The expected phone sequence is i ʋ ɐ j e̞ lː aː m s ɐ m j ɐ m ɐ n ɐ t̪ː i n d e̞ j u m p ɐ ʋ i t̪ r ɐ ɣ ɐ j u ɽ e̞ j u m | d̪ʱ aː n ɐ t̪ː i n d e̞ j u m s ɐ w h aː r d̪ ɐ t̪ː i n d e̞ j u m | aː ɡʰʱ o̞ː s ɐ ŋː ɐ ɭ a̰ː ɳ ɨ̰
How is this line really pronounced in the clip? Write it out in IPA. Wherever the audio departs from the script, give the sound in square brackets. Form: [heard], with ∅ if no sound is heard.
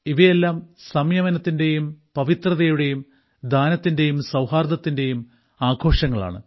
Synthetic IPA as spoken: i ʋ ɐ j e̞ lː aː m s ɐ m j ɐ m ɐ n ɐ t̪ː i n d e̞ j u m p ɐ ʋ i t̪ r ɐ [ð] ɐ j u ɽ e̞ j u m | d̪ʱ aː n ɐ t̪ː i n d e̞ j u m s ɐ w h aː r d̪ ɐ t̪ː i n d e̞ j u m | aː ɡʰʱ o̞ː [ʂ] ɐ ŋː ɐ ɭ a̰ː ɳ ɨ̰